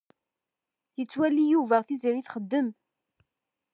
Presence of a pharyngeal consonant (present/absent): absent